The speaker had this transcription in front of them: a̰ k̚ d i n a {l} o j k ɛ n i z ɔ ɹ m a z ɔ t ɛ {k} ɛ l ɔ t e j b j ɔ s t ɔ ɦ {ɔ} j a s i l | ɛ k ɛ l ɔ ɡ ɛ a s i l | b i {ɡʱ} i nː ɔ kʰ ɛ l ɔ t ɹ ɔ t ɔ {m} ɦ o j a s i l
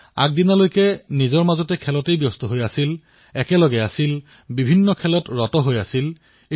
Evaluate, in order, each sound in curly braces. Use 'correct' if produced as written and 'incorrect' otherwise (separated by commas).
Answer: correct, incorrect, incorrect, incorrect, incorrect